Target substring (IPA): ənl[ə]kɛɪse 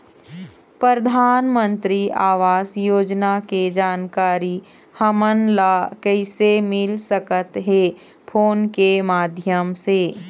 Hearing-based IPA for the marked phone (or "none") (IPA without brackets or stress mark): a